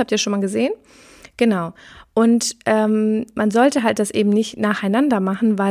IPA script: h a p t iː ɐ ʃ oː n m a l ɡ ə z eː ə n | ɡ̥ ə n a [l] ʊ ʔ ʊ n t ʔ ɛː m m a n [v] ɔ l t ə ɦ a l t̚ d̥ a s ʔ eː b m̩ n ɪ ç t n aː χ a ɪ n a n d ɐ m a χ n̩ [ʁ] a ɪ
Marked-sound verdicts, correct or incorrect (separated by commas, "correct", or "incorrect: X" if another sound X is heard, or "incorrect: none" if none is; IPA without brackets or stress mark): incorrect: none, incorrect: z, incorrect: v